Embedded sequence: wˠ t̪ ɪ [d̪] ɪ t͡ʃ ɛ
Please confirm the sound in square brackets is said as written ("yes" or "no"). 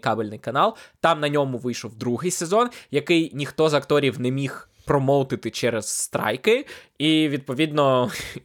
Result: no